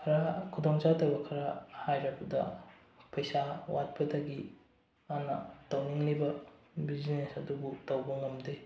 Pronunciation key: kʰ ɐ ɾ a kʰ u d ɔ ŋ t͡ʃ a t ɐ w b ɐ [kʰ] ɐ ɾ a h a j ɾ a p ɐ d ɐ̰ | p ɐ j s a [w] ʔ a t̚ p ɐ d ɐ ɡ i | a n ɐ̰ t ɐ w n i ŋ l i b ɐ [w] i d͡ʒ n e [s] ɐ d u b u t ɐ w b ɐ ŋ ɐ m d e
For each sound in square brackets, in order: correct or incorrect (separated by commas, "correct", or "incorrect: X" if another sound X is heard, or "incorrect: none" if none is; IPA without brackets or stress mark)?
correct, correct, incorrect: b, correct